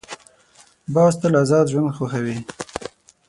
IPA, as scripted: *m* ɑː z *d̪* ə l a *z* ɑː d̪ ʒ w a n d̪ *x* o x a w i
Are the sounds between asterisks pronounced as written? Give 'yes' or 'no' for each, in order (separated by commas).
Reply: no, no, yes, yes